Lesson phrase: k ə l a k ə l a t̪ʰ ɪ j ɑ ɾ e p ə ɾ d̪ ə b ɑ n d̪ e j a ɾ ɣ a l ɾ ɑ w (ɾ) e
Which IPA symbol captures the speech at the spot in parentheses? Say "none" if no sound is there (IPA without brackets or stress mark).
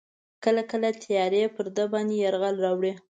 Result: ɽ